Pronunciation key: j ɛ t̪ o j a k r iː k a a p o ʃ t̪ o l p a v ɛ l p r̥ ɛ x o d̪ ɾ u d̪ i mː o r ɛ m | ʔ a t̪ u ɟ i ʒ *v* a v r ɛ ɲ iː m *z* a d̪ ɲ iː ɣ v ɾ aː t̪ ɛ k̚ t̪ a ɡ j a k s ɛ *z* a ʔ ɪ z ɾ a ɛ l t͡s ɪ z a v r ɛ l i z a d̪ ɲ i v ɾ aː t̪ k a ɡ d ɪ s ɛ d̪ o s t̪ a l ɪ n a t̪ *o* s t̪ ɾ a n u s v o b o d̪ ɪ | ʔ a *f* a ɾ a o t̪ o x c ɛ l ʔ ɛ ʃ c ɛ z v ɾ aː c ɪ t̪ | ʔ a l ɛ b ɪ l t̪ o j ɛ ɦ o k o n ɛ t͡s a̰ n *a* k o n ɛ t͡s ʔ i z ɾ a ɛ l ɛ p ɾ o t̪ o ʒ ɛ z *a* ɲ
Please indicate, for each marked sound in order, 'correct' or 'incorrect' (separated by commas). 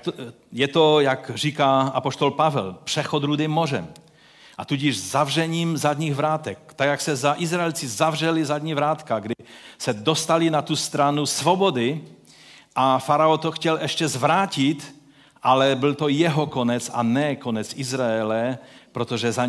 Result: incorrect, correct, correct, incorrect, correct, incorrect, correct